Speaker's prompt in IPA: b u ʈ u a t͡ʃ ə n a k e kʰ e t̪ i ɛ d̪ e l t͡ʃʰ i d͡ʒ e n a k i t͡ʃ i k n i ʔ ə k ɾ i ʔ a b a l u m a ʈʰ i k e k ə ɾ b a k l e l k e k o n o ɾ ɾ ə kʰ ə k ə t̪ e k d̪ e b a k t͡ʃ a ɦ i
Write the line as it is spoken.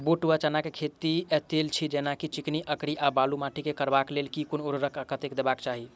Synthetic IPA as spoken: b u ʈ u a t͡ʃ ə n a k e kʰ e t̪ i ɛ t̪ e l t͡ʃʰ i d͡ʒ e n a k i t͡ʃ i k n i ʔ ə k ɾ i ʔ a b a l u m a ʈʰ i k e k ə ɾ b a k l e l k i k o n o ɾ ɾ ə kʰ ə k ə t̪ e k d̪ e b a k t͡ʃ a ɦ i